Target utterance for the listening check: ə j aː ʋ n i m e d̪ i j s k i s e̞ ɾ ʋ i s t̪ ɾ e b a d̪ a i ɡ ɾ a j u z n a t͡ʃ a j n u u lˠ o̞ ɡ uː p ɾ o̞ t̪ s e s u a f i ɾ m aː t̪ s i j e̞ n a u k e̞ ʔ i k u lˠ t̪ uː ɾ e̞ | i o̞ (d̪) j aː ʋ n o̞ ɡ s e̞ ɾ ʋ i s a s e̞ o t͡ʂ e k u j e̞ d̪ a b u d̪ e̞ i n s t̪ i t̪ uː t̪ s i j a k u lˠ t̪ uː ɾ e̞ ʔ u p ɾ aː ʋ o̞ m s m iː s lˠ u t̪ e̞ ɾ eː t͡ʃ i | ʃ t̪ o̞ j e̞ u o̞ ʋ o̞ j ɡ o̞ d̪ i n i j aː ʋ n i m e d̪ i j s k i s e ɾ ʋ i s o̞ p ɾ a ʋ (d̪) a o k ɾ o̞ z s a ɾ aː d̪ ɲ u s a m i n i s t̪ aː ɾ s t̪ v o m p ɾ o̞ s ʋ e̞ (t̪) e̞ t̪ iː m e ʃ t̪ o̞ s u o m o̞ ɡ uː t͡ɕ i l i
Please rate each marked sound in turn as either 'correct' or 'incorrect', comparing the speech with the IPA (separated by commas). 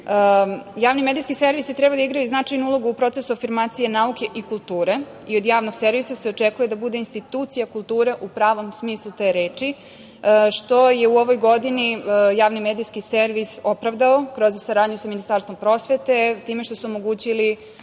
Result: correct, correct, correct